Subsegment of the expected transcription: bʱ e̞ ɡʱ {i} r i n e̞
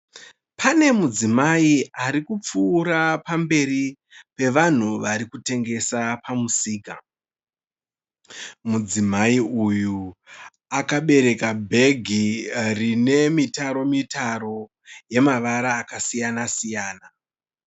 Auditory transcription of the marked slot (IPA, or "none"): i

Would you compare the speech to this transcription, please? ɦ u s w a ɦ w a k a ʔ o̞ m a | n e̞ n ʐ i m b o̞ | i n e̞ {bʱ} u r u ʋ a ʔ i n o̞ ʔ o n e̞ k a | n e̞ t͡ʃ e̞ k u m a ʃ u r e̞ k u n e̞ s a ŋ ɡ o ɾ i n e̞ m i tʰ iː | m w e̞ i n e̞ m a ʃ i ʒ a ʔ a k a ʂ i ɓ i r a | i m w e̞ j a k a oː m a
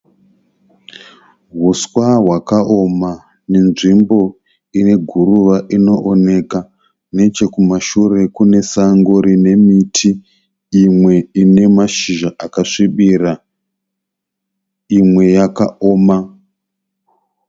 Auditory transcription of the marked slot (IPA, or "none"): ɡʱ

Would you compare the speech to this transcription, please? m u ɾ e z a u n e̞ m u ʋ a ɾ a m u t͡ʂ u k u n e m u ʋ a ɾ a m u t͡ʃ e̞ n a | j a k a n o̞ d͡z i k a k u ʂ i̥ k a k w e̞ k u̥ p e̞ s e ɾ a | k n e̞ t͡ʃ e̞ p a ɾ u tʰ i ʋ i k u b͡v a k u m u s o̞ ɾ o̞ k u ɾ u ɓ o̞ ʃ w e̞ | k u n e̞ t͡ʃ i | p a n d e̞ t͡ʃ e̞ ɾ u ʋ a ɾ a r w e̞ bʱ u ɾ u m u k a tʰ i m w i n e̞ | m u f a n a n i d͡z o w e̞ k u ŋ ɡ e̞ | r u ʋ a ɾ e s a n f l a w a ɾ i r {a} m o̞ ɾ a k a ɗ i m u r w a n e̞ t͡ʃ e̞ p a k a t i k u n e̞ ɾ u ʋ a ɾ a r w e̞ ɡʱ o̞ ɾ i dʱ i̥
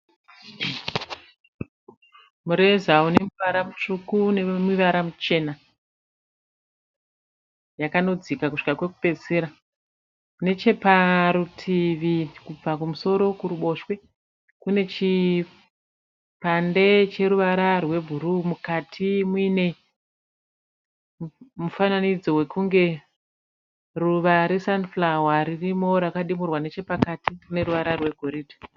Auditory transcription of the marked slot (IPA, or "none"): i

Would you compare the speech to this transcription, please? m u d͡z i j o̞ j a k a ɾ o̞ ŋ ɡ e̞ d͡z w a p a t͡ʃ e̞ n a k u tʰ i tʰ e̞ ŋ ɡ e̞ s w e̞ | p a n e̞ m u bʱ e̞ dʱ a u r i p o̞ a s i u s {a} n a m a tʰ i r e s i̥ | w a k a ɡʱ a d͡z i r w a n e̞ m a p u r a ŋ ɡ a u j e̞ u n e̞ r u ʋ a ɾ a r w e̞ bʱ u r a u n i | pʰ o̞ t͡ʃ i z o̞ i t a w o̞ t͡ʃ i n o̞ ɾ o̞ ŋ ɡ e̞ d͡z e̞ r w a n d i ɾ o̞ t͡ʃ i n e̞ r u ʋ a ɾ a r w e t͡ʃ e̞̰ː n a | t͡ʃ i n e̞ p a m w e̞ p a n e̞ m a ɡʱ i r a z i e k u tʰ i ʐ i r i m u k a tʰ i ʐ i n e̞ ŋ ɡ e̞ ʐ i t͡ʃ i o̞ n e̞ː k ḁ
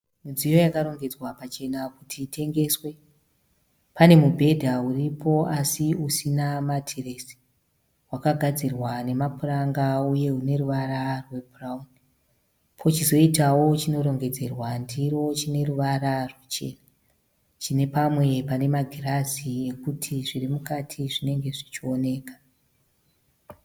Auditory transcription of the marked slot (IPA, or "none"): i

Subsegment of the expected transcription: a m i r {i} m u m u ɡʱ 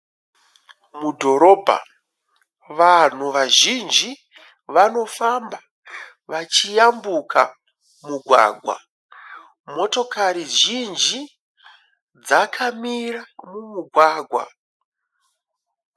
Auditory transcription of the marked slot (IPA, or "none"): a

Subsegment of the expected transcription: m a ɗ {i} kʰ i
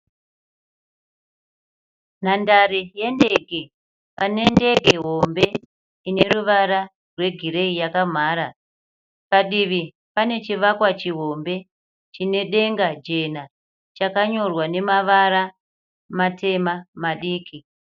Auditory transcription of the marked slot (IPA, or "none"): iː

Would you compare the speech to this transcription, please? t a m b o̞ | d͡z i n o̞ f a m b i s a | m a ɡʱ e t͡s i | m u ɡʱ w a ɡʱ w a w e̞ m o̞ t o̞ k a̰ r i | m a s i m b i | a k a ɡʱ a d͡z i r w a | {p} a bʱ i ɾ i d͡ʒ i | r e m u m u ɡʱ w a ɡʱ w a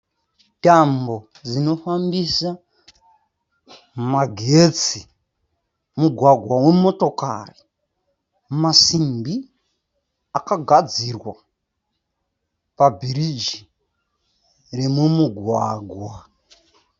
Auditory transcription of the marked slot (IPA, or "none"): p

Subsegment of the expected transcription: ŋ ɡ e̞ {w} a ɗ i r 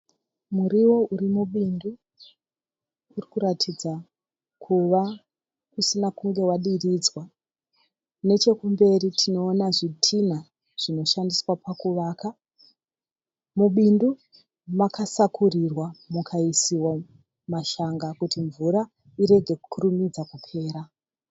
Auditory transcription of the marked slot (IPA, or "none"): w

